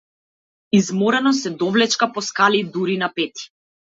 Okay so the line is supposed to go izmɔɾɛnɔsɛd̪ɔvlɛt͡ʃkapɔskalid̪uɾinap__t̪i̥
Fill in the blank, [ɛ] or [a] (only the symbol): ɛ